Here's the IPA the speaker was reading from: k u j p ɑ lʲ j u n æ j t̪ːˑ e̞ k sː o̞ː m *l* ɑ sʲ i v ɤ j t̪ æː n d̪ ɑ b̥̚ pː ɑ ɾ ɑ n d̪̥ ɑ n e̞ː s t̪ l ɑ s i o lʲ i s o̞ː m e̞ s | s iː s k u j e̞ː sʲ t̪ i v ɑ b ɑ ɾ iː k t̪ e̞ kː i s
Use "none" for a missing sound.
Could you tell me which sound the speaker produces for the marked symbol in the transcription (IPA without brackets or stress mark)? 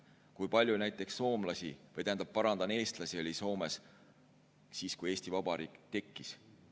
l